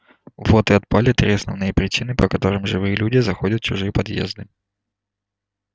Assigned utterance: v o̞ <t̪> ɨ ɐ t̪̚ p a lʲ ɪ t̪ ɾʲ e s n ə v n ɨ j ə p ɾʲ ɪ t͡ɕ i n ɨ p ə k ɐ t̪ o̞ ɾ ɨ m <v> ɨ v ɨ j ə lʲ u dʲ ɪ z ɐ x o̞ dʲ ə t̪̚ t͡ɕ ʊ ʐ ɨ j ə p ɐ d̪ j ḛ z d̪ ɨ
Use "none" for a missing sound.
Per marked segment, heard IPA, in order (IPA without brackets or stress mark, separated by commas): t̪, ʐ